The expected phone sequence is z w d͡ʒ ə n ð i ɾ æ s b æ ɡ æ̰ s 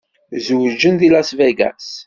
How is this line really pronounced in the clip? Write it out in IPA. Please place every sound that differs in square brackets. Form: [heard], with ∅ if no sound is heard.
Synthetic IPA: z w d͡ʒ ə n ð i [l] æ s [v] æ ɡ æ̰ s